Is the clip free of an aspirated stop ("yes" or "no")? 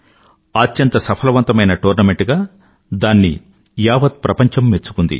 no